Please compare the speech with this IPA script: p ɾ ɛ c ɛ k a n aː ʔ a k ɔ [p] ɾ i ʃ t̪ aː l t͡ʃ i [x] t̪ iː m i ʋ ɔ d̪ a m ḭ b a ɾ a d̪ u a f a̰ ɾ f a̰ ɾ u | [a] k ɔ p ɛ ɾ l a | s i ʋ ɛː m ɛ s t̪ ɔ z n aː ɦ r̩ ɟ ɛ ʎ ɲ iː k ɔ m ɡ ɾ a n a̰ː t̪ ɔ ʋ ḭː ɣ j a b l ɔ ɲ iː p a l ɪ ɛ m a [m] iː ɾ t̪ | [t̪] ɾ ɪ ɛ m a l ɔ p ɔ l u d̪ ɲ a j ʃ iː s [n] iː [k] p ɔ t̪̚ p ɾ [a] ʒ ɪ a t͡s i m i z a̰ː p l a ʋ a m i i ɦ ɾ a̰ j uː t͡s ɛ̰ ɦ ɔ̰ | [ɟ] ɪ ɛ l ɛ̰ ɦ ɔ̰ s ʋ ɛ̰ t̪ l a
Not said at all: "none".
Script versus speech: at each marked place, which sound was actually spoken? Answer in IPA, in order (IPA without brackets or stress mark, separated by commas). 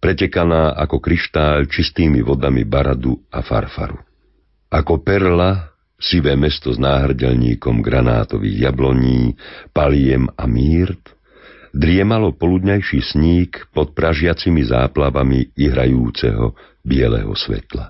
k, s, a, m, d̪, ɲ, k, a, b